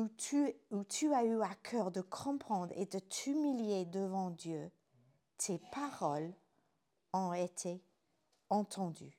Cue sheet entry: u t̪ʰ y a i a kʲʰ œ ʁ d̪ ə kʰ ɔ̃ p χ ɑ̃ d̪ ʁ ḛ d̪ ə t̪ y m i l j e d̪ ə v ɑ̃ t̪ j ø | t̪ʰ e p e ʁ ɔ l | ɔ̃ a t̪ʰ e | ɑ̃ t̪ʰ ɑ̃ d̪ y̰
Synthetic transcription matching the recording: u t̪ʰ y a y a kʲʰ œ ʁ d̪ ə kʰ ɔ̃ p χ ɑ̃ d̪ ʁ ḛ d̪ ə t̪ y m i l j e d̪ ə v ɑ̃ d̪ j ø | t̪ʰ e p a ʁ ɔ l | ɔ̃ e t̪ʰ e | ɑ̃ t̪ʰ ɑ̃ d̪ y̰